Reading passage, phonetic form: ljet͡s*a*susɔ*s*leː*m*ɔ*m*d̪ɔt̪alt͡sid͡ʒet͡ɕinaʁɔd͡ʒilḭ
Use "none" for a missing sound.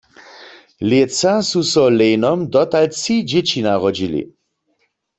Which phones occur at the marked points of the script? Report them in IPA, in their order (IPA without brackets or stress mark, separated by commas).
a, none, n, m